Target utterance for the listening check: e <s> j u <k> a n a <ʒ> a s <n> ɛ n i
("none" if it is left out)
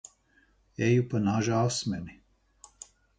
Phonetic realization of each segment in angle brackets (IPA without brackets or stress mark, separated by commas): none, p, ʒ, m